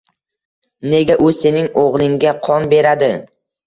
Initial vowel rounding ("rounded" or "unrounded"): unrounded